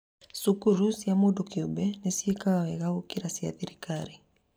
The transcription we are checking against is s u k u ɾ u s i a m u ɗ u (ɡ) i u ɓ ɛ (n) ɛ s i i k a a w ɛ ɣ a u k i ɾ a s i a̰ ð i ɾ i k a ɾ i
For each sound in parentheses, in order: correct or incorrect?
incorrect, correct

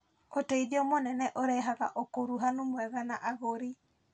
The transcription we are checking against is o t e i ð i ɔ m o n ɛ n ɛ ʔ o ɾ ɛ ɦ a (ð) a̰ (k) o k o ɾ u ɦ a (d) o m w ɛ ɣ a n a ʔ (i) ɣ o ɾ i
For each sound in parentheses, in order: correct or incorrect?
incorrect, incorrect, incorrect, incorrect

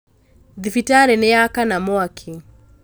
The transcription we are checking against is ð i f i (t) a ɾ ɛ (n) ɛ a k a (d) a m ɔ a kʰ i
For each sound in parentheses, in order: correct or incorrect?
correct, correct, incorrect

